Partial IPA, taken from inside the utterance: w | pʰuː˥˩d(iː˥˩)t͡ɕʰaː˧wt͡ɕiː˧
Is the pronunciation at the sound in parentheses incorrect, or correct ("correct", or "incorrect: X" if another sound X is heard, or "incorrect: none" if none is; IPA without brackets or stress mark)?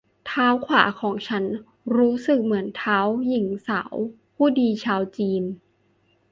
incorrect: iː˧